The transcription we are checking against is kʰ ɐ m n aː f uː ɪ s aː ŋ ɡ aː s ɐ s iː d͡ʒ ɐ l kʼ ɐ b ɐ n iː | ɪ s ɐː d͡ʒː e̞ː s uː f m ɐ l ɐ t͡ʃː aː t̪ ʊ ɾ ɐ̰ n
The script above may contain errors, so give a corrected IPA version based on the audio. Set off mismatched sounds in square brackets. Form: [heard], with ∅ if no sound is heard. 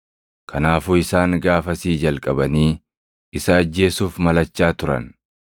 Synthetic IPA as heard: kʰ ɐ [∅] n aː f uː ɪ s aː ŋ ɡ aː [f] ɐ s iː d͡ʒ ɐ l kʼ ɐ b ɐ n iː | ɪ s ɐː d͡ʒː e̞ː s uː f m ɐ l ɐ t͡ʃː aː t̪ ʊ ɾ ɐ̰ n